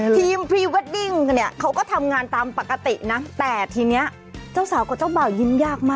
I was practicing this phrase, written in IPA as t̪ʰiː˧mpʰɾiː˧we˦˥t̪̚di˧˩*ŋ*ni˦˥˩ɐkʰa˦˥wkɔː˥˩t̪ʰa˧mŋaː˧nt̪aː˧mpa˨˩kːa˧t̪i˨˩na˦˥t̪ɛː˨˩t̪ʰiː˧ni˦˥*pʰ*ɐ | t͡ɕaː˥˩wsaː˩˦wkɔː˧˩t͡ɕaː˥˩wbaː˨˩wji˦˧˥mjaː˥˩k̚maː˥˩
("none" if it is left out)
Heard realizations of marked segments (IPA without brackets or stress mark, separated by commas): ŋ, none